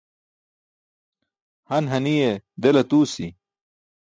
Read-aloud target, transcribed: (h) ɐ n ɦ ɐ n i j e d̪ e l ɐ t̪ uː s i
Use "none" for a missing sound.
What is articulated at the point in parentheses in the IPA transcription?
h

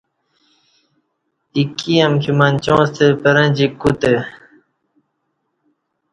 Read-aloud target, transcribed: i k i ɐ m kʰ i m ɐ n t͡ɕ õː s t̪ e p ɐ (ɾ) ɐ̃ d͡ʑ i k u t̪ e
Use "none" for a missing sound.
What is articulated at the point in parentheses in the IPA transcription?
ɾ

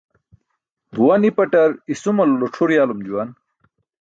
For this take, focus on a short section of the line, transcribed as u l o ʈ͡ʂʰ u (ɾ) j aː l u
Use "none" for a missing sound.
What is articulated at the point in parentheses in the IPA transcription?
ɾ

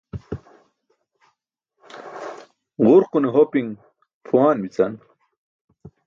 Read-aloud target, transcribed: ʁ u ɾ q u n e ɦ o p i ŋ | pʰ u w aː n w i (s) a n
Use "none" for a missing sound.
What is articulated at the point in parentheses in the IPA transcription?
t͡s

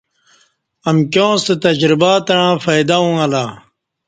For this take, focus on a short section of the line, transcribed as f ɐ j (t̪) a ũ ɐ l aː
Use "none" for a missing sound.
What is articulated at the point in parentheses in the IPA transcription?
d̪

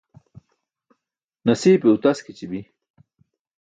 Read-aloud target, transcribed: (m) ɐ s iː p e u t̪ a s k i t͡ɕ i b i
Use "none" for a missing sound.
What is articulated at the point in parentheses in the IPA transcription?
n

